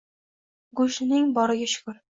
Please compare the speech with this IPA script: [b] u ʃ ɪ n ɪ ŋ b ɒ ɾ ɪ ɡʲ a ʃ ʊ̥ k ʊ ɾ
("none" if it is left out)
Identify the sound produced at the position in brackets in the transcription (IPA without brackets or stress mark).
ɡ